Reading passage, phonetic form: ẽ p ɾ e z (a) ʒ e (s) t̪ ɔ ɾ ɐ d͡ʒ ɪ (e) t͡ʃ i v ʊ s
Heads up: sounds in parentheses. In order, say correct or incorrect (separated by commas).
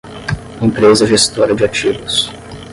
incorrect, correct, incorrect